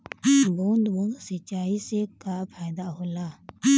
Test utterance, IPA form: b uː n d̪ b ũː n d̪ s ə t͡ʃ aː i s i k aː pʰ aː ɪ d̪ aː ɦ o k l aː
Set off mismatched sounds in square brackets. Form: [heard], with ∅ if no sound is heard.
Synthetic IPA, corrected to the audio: b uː n d̪ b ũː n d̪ s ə t͡ʃ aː i s [e] k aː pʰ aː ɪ d̪ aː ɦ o [∅] l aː

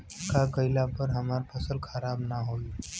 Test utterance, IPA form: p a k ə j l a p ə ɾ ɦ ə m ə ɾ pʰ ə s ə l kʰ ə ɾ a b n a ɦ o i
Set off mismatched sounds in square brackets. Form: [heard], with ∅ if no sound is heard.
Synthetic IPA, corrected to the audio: [k] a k ə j l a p ə ɾ ɦ ə m [a] ɾ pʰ ə s ə l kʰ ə ɾ a b n a ɦ o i

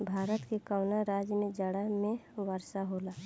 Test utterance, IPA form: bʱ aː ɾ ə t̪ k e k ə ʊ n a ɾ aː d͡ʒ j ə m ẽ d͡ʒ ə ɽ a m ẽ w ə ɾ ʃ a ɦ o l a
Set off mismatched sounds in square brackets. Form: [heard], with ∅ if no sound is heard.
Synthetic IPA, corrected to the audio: bʱ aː ɾ ə t̪ k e k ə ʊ n a ɾ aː d͡ʒ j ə m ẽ d͡ʒ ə ɽ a m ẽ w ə ɾ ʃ a ɦ o l a

